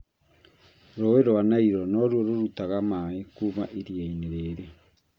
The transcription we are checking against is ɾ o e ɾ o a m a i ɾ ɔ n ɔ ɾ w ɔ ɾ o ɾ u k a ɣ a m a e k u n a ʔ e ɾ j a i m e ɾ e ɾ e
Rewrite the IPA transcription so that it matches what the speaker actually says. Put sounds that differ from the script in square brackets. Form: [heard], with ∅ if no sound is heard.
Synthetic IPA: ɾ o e ɾ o a [n] a i ɾ ɔ n ɔ ɾ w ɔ ɾ o ɾ u [t] a ɣ a m a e k u [m] a ʔ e ɾ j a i [n] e ɾ e ɾ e